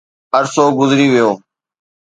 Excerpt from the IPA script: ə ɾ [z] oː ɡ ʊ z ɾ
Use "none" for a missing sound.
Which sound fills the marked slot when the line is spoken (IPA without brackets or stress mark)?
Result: s